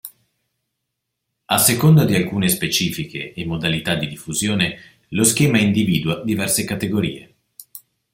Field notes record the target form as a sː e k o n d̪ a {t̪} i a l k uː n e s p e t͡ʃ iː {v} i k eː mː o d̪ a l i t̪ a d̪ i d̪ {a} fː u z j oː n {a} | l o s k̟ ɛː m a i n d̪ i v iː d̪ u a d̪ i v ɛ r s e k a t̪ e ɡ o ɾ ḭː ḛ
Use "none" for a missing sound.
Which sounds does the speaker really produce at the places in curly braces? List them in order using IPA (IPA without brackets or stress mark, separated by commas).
d̪, f, i, e